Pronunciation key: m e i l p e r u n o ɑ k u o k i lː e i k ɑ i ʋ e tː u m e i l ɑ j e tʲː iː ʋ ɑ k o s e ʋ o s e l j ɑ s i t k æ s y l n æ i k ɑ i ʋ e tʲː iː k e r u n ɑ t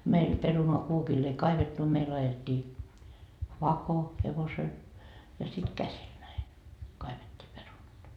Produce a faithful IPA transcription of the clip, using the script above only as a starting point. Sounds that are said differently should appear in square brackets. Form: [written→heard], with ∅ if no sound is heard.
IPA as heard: m e i l p e r u n o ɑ k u o k i lː e i k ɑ i ʋ e tː u m e i l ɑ j e tʲː iː ʋ ɑ k o [s→h] e ʋ o s e l j ɑ s i t k æ s [y→i] l n æ i k ɑ i ʋ e tʲː iː [k→p] e r u n ɑ t